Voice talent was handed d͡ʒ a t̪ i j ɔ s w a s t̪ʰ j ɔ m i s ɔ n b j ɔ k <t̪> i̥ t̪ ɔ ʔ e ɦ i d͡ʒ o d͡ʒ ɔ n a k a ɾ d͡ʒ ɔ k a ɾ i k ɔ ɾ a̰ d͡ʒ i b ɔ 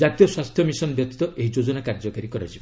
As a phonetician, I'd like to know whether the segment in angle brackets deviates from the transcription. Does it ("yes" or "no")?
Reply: no